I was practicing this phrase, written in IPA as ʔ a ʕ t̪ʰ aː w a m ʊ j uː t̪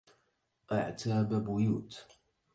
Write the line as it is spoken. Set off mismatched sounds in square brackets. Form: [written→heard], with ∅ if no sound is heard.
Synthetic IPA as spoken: ʔ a ʕ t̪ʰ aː [w→b] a [m→b] ʊ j uː t̪